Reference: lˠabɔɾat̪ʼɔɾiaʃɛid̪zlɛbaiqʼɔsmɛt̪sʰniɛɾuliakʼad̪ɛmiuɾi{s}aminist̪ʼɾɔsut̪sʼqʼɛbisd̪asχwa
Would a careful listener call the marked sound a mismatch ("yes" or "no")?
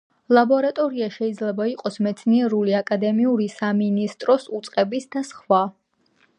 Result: no